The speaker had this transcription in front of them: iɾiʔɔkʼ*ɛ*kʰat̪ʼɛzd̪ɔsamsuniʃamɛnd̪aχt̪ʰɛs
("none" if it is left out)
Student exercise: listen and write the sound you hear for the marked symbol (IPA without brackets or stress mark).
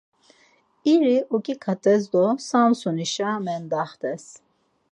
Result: i